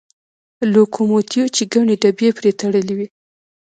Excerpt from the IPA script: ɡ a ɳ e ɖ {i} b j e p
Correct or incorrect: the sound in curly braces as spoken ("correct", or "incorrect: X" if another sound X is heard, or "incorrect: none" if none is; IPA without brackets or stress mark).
incorrect: a